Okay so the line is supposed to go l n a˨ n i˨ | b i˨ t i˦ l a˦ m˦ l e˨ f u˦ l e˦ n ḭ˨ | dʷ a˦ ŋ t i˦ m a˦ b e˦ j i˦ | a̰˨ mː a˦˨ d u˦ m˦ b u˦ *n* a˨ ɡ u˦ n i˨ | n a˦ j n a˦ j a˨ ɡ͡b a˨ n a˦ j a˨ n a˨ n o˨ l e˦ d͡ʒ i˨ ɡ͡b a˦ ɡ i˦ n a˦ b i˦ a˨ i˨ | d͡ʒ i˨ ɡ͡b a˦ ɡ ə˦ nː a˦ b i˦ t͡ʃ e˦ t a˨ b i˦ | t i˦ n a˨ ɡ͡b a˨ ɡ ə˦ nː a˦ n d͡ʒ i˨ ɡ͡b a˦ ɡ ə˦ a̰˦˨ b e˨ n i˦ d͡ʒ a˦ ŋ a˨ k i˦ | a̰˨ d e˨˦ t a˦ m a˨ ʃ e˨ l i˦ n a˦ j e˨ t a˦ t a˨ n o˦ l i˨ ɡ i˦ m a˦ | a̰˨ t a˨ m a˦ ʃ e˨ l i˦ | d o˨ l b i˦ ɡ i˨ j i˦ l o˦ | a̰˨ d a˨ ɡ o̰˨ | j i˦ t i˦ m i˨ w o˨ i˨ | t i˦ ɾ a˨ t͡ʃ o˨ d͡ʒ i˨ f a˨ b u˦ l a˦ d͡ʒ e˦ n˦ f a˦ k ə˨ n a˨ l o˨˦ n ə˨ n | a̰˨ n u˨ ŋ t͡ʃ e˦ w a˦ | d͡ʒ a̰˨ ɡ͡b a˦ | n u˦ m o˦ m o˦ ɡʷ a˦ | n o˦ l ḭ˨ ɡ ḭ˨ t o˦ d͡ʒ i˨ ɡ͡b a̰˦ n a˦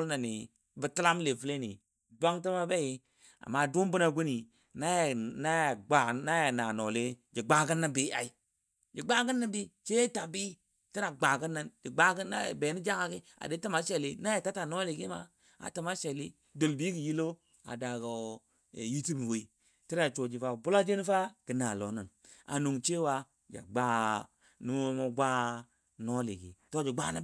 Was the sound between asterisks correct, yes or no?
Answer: yes